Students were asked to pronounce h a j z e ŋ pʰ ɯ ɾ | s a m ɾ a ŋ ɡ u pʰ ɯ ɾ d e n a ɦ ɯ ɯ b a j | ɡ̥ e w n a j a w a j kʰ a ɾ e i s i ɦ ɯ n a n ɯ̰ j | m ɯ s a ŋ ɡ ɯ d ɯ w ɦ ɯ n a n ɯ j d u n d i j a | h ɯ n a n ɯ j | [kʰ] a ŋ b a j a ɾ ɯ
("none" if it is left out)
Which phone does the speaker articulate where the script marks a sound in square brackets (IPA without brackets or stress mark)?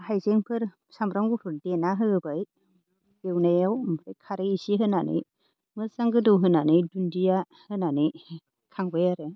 kʰ